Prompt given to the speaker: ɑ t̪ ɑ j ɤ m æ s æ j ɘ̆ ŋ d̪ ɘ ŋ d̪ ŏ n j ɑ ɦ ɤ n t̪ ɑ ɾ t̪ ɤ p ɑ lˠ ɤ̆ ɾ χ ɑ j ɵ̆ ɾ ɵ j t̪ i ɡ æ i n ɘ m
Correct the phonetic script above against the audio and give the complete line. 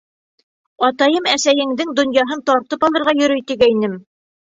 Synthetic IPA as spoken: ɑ t̪ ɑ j ɤ m æ s æ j ɘ̆ ŋ d̪ ɘ ŋ d̪ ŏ n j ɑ ɦ ɤ n t̪ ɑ ɾ t̪ ɤ p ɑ lˠ ɤ̆ ɾ ʁ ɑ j ɵ̆ ɾ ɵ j t̪ i ɡ æ i n ɘ m